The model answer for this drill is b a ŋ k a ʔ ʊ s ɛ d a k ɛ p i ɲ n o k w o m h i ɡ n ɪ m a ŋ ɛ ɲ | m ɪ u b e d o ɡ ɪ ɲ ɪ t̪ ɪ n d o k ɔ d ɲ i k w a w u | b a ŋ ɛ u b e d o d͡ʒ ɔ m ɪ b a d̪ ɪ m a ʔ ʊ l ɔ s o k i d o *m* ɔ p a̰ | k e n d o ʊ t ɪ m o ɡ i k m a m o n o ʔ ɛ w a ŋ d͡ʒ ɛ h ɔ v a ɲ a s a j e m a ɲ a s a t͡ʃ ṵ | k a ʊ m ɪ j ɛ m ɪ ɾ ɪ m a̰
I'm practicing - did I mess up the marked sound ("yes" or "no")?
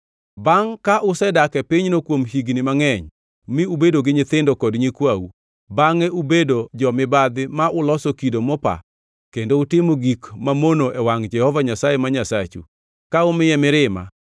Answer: no